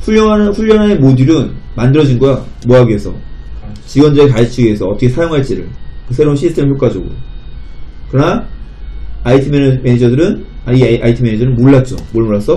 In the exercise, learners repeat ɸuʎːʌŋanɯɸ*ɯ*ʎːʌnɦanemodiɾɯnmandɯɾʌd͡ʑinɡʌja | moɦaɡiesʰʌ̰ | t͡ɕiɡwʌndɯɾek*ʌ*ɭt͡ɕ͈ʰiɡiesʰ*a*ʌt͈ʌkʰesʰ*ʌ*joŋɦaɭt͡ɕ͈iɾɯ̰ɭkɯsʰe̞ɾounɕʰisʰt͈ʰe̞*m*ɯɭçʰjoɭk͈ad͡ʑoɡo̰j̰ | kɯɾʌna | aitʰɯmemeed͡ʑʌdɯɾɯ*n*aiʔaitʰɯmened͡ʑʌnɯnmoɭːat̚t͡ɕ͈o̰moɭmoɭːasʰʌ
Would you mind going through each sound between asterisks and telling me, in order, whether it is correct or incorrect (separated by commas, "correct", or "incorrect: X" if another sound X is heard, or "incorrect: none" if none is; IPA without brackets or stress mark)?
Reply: incorrect: u, incorrect: a, incorrect: ʌ, incorrect: a, correct, correct